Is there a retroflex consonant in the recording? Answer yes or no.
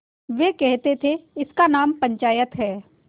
no